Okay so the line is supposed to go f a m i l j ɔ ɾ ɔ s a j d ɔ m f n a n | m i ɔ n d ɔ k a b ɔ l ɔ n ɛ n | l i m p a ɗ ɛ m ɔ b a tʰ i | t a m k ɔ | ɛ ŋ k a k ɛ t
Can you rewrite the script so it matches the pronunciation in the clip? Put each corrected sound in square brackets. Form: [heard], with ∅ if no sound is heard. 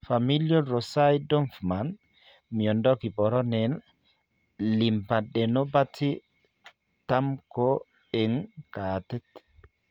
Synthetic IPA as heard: f a m i l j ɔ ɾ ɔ s a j d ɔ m f [m] a n | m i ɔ n d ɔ k [i] b ɔ [ɾ] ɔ n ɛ n | l i m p a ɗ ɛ [n] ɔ b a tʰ i | t a m k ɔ | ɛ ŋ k a [t] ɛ t